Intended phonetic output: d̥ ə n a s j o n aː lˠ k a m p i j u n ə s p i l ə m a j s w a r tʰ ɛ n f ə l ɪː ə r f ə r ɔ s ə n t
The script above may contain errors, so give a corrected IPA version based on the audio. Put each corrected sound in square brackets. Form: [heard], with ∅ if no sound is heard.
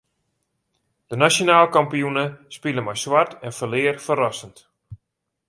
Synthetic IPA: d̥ ə n a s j o n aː lˠ k a m p i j u n ə s p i l ə m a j s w a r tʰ ɛ n f ə l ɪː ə r f ə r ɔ s ə n t